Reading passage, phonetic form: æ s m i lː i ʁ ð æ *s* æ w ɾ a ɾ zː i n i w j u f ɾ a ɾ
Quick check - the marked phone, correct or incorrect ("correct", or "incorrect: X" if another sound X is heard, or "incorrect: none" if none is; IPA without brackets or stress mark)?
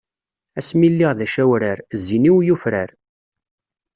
incorrect: ʃ